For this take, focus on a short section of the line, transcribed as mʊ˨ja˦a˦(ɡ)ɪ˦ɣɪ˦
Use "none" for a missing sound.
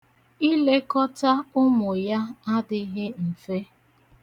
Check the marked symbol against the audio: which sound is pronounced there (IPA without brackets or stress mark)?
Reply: d